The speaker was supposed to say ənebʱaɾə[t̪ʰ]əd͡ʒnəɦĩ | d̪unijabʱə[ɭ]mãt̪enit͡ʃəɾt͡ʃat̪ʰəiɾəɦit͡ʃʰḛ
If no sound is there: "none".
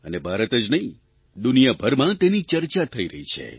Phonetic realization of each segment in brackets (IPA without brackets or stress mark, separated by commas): t̪, ɾ